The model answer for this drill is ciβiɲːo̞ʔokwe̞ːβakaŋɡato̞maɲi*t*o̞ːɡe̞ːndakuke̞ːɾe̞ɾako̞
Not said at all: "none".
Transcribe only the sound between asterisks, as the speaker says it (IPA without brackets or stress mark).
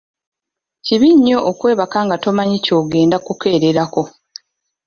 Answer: c